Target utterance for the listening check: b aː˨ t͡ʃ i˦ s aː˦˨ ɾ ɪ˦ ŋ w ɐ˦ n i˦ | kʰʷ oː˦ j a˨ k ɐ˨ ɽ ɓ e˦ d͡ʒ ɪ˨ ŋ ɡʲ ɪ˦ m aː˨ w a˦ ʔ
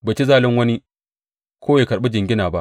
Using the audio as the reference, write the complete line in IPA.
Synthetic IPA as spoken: b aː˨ t͡ʃ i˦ z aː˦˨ l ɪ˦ ŋ w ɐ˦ n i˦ | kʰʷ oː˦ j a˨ k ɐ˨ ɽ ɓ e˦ d͡ʒ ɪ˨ ŋ ɡʲ ɪ˦ n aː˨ b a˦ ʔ

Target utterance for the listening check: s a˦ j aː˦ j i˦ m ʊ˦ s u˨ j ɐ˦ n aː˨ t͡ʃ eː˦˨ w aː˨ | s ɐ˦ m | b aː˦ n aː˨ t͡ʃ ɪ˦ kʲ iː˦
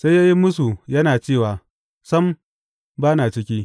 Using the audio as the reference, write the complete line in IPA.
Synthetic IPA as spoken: s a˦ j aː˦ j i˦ m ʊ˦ s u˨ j ɐ˦ n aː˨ t͡ʃ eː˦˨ w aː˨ | s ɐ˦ m | b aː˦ n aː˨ t͡ʃ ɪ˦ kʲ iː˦

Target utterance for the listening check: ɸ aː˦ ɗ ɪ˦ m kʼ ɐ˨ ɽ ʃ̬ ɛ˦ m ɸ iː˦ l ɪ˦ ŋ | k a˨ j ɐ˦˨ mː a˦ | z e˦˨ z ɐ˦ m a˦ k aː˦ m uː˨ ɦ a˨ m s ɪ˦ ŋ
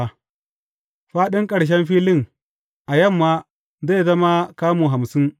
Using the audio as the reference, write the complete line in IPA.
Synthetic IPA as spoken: ɸ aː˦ ɗ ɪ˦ ŋ kʼ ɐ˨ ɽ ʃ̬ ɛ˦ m ɸ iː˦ l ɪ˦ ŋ | ʔ a˨ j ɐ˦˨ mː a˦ | z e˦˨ z ɐ˦ m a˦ k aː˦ m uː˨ ɦ a˨ m s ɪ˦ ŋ

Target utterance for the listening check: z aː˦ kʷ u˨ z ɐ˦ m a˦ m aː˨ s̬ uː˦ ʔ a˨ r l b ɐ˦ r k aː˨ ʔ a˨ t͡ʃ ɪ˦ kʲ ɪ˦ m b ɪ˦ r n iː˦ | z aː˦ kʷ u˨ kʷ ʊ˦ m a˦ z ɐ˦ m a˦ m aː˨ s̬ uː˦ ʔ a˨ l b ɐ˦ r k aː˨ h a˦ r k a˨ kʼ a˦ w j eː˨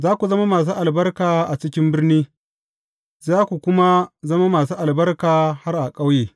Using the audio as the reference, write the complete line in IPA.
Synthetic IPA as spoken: z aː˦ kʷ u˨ z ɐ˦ m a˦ m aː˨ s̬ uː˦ ʔ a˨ l b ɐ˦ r k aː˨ ʔ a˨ t͡ʃ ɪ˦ kʲ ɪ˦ m b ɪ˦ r n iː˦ | z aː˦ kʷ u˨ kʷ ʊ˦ m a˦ z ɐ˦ m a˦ m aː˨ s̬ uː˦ ʔ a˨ l b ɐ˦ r k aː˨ h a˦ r ʔ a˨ kʼ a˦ w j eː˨

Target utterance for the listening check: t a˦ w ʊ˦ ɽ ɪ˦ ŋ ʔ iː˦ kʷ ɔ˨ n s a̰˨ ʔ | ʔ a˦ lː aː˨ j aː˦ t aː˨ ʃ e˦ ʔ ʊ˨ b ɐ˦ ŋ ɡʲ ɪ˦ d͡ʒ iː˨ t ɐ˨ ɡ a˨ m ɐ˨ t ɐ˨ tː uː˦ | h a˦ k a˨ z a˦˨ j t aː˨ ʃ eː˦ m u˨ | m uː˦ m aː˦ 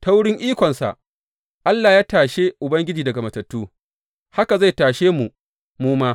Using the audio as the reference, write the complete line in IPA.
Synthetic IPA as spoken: t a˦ w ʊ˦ ɽ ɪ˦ ŋ ʔ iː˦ kʷ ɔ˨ n s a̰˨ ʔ | ʔ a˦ lː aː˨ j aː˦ t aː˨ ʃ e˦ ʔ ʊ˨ b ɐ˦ ŋ ɡʲ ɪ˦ d͡ʒ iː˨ d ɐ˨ ɡ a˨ m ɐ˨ t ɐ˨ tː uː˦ | h a˦ k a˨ z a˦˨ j t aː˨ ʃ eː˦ m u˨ | m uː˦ m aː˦

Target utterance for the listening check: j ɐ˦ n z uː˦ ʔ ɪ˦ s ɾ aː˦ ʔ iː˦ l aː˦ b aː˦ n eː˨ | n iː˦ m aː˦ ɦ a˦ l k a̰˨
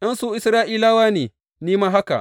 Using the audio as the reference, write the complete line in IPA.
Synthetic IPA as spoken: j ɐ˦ n s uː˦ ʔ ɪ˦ s ɾ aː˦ ʔ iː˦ l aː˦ w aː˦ n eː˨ | n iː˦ m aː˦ ɦ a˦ k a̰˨

